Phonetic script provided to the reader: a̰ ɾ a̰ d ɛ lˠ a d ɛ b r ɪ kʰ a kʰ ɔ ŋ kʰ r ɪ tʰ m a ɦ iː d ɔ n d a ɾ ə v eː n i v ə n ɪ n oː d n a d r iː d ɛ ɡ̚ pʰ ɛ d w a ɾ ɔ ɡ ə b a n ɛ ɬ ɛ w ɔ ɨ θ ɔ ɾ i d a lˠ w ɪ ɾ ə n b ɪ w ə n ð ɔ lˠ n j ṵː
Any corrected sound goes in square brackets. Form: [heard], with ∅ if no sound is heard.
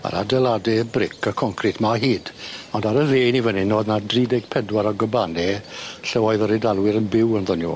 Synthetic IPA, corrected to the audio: a̰ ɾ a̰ d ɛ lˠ a d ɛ b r ɪ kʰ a kʰ ɔ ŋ kʰ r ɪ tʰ m a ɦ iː d ɔ n d a ɾ ə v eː n i v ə n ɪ n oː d n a d r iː d ɛ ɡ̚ pʰ ɛ d w a ɾ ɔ ɡ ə b a n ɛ ɬ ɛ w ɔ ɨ [ð] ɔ ɾ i d a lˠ w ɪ ɾ ə n b ɪ w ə n ð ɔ [∅] n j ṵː